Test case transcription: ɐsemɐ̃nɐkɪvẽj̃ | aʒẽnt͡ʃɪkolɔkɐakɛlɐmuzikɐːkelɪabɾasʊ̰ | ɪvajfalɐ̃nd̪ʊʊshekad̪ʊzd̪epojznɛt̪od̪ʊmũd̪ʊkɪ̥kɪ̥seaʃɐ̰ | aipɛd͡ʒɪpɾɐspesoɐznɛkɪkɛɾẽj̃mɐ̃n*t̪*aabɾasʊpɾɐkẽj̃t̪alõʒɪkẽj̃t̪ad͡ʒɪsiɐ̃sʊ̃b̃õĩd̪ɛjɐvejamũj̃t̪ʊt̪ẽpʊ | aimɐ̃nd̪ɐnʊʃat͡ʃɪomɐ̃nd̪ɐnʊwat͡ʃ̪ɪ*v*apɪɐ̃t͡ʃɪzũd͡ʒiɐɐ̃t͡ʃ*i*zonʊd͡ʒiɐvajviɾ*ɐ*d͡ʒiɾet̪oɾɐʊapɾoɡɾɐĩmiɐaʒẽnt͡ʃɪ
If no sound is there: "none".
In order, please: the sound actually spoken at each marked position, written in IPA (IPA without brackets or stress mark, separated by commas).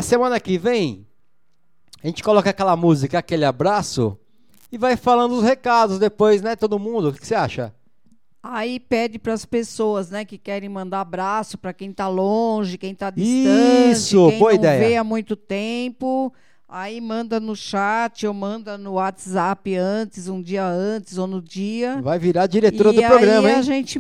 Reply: d̪, z, ɪ, a